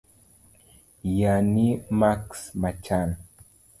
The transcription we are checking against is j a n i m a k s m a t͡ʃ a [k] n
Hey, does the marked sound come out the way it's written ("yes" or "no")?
no